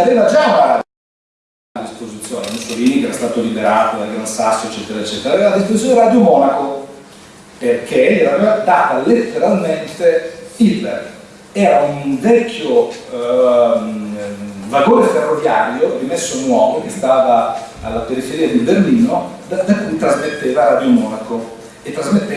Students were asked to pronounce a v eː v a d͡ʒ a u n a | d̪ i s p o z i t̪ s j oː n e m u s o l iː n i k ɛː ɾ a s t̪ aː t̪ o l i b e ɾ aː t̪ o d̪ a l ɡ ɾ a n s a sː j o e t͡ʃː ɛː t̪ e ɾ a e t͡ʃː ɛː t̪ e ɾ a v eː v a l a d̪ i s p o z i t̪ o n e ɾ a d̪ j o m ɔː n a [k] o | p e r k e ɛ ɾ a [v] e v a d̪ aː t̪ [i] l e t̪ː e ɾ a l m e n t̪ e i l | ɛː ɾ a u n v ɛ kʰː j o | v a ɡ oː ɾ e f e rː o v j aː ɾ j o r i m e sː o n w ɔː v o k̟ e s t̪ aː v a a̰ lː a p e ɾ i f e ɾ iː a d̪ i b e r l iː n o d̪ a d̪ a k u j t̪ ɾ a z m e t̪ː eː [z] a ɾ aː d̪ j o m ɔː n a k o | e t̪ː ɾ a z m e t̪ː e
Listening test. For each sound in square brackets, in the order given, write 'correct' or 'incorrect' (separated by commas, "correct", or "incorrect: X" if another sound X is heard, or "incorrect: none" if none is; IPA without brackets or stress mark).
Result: correct, correct, incorrect: a, incorrect: v